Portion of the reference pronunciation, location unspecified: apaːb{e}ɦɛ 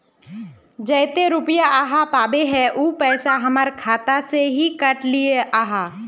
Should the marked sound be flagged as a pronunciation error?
no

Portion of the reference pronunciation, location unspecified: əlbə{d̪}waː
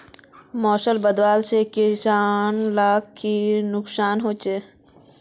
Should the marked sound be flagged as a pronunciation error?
no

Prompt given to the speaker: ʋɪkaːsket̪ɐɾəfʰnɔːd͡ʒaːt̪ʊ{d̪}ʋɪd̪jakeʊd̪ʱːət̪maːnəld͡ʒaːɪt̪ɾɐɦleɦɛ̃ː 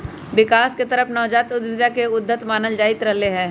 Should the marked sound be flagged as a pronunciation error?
no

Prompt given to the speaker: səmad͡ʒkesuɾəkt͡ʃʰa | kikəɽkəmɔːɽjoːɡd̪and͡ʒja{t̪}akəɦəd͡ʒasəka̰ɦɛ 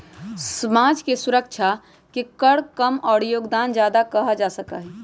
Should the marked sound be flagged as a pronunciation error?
yes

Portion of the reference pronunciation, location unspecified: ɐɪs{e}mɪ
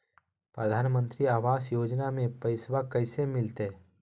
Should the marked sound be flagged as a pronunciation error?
no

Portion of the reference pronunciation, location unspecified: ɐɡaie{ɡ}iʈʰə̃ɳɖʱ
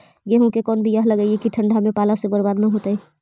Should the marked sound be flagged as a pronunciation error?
yes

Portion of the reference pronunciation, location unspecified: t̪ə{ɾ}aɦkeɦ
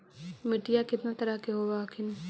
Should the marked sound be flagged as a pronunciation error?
no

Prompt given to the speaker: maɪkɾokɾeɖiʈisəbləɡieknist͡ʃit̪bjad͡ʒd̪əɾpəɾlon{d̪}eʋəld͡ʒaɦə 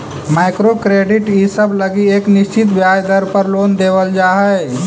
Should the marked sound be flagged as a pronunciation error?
no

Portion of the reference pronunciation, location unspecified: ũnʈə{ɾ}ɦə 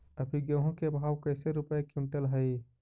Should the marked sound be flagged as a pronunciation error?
yes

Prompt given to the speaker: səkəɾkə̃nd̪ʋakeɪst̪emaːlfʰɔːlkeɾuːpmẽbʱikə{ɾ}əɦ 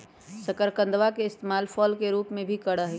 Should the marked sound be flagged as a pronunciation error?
yes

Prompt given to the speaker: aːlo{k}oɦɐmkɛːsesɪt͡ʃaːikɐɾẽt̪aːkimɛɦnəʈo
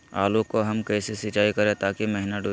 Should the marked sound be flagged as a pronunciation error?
no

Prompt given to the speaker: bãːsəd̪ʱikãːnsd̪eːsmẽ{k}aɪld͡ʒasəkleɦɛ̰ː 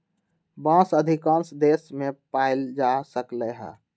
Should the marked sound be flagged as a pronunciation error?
yes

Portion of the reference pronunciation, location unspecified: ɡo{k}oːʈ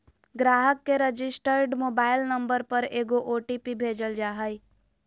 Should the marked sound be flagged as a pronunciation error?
yes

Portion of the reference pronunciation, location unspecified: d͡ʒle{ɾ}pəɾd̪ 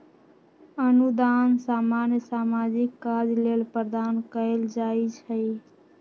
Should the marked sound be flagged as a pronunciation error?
yes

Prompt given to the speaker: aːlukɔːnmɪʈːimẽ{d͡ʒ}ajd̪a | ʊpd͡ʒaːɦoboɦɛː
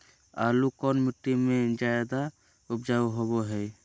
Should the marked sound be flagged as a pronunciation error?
no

